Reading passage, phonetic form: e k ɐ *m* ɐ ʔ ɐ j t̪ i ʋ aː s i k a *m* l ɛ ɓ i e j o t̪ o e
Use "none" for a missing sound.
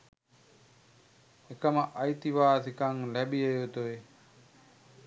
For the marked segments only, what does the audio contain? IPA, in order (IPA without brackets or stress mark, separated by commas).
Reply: m, ŋ